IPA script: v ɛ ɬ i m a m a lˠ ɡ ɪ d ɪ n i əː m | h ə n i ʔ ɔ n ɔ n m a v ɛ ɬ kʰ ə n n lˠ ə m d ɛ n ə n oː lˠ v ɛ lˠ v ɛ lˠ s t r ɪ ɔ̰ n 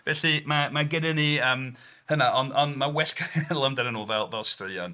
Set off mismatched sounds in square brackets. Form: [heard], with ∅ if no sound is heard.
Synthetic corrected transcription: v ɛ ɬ i m a m a [∅] ɡ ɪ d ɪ n i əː m | h ə n [a] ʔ ɔ n ɔ n m a [w] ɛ ɬ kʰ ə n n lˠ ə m d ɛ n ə n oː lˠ v ɛ lˠ v ɛ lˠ s t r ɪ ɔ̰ n